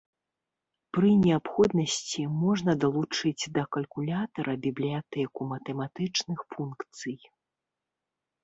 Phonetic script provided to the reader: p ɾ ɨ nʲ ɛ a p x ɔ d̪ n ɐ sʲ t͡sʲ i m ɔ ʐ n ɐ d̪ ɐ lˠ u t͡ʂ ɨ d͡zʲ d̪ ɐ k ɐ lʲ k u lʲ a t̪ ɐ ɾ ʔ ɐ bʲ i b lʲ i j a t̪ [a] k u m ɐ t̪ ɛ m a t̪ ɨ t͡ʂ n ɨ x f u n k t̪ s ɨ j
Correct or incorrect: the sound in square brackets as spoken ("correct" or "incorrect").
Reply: incorrect